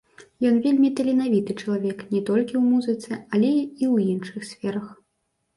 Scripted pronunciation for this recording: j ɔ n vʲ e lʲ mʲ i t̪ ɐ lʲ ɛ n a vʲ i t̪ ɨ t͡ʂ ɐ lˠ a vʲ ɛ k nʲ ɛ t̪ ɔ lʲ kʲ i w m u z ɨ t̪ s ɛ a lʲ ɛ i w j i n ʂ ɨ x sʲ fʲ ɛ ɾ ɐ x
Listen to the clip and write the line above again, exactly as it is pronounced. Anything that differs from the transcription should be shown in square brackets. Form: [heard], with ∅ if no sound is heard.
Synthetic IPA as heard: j ɔ n vʲ e lʲ mʲ i t̪ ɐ lʲ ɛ n a vʲ i t̪ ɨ t͡ʂ ɐ lˠ a vʲ ɛ k nʲ ɛ t̪ ɔ lʲ kʲ i w m u z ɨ t̪ s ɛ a lʲ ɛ i w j i n ʂ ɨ x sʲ fʲ ɛ ɾ ɐ x